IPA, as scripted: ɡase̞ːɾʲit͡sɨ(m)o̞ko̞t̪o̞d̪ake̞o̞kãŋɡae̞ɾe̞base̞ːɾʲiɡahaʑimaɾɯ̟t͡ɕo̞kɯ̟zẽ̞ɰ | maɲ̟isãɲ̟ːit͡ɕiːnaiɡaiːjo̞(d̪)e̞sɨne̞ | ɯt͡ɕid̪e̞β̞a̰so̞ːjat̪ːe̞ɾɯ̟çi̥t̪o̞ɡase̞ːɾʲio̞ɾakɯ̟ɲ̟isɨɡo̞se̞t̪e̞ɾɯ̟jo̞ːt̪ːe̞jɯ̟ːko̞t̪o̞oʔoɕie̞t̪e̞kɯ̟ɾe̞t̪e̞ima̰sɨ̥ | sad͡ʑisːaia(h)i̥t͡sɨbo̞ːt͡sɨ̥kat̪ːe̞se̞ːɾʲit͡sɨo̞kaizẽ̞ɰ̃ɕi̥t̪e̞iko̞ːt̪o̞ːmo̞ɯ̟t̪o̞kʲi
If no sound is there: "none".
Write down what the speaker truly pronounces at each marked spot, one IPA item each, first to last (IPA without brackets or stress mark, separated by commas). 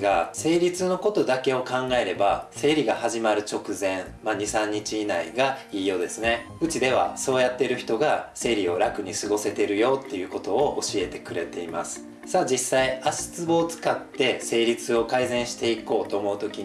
n, d̪, ɕ